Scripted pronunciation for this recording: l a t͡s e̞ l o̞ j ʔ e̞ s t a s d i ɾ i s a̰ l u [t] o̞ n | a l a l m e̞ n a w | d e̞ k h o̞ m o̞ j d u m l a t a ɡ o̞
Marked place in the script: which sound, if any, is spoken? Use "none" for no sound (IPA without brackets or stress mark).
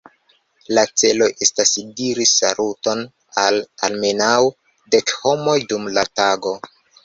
t